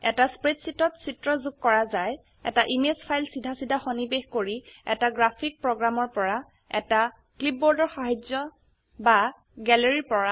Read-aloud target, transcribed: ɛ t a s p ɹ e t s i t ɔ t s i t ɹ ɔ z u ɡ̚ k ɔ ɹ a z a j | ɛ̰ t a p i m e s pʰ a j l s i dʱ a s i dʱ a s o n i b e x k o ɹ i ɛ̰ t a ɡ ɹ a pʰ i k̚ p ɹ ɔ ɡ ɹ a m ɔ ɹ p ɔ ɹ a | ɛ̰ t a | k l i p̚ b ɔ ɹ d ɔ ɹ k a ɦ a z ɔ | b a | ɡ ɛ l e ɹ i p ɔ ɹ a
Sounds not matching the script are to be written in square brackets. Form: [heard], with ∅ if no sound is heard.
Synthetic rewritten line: ɛ t a s p ɹ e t s i t ɔ t s i t ɹ ɔ z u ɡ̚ k ɔ ɹ a z a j | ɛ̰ t a [ʔ] i m e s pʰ a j l s i dʱ a s i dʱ a [x] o n i b e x k o ɹ i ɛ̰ t a ɡ ɹ a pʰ i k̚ p ɹ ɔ ɡ ɹ a m ɔ ɹ p ɔ ɹ a | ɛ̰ t a | k l i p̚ b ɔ ɹ d ɔ ɹ [x] a ɦ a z ɔ | b a | ɡ ɛ l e ɹ i p ɔ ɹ a

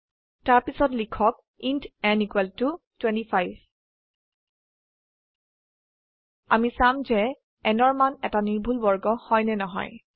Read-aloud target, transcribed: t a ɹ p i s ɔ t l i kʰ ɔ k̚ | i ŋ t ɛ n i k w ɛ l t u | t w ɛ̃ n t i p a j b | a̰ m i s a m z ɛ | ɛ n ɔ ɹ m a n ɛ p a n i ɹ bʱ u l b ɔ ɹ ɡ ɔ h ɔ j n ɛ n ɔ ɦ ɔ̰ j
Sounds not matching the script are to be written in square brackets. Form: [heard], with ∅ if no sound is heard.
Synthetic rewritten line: t a ɹ p i s ɔ t l i kʰ ɔ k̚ | i [n] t ɛ n i k w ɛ l t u | t w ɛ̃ n t i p a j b | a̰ m i s a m z ɛ | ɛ n ɔ ɹ m a n ɛ [t] a n i ɹ bʱ u l b ɔ ɹ ɡ ɔ h ɔ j n ɛ n ɔ ɦ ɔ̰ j

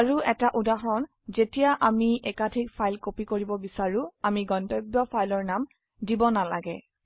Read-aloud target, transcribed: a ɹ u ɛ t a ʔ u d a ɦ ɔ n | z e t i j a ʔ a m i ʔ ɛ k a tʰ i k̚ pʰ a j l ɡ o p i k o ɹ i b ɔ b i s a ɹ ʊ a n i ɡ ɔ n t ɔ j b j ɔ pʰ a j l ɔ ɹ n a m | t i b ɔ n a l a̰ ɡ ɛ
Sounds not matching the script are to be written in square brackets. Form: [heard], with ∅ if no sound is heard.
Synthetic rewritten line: a ɹ u ɛ t a ʔ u d a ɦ ɔ n | z e t i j a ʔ a m i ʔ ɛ k a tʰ i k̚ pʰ a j l [k] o p i k o ɹ i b ɔ b i s a ɹ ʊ a [m] i ɡ ɔ n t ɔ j b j ɔ pʰ a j l ɔ ɹ n a m | [d] i b ɔ n a l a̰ ɡ ɛ

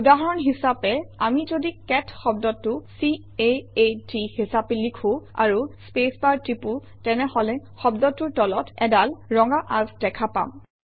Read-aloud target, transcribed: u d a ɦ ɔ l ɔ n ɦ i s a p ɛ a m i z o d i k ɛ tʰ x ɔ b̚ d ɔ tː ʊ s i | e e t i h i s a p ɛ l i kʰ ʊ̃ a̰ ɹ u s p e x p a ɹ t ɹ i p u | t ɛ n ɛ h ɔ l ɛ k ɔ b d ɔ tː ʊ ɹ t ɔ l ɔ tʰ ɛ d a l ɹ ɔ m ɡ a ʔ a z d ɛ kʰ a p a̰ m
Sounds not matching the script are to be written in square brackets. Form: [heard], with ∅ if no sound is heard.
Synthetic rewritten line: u d a ɦ ɔ [ɹ] ɔ n ɦ i s a p ɛ a m i z o d i k ɛ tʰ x ɔ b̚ d ɔ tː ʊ s i | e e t i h i s a p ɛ l i kʰ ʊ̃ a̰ ɹ u s p e [s] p a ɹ t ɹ i p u | t ɛ n ɛ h ɔ l ɛ [x] ɔ b d ɔ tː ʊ ɹ t ɔ l ɔ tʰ ɛ d a l ɹ ɔ [ŋ] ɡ a ʔ a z d ɛ kʰ a p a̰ m

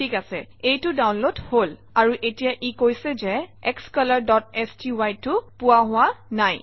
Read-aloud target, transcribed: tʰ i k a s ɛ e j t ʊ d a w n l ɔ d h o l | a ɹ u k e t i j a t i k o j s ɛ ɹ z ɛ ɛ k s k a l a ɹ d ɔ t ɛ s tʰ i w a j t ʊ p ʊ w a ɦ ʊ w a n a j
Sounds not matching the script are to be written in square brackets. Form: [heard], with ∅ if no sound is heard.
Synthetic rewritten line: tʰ i k a s ɛ e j t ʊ d a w n l [o] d h o l | a ɹ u [ʔ] e t i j a [ʔ] i k o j s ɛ [∅] z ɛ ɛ k s k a l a ɹ d ɔ t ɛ s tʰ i w a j t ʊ p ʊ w a ɦ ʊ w a n a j

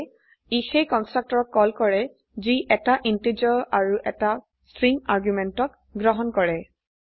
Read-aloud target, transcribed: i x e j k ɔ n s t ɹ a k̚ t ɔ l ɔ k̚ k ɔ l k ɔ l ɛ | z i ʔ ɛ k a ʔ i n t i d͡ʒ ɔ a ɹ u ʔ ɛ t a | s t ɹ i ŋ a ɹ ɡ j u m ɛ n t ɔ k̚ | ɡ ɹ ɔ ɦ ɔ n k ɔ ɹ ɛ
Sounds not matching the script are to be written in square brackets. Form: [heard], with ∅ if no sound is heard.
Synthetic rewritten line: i x e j k ɔ n s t ɹ a k̚ t ɔ [ɹ] ɔ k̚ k ɔ l k ɔ [ɹ] ɛ | z i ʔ ɛ [t] a ʔ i n t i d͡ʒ ɔ a ɹ u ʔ ɛ t a | s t ɹ i ŋ a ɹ ɡ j u m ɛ n t ɔ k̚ | ɡ ɹ ɔ ɦ ɔ n k ɔ ɹ ɛ

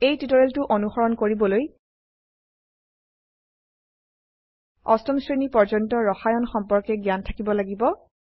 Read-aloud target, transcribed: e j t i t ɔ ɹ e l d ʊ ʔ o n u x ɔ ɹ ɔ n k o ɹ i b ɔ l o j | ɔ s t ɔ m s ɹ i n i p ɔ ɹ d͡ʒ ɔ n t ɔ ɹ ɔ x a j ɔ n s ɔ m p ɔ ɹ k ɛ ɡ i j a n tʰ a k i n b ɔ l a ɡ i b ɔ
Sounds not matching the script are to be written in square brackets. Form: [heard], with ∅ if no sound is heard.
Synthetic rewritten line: e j t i t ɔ ɹ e l [t] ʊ ʔ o n u x ɔ ɹ ɔ n k o ɹ i b ɔ l o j | ɔ s t ɔ m s ɹ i n i p ɔ ɹ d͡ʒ ɔ n t ɔ ɹ ɔ x a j ɔ n [x] ɔ m p ɔ ɹ k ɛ ɡ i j a n tʰ a k i [∅] b ɔ l a ɡ i b ɔ

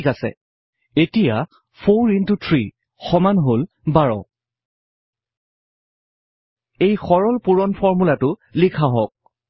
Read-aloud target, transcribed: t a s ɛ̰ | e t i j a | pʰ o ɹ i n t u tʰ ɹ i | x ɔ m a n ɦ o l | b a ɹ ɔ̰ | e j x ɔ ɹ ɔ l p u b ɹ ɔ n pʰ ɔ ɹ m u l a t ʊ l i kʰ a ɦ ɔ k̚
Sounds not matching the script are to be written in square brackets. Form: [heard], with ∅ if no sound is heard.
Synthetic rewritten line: [k] a s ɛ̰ | e t i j a | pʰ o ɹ i n t u tʰ ɹ i | x ɔ m a n ɦ o l | b a ɹ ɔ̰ | e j x ɔ ɹ ɔ l p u [∅] ɹ ɔ n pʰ ɔ ɹ m u l a t ʊ l i kʰ a ɦ ɔ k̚

